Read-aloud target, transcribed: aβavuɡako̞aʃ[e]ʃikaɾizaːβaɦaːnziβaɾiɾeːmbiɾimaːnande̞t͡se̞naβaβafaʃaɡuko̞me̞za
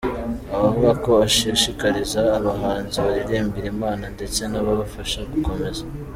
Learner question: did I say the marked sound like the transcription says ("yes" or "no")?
no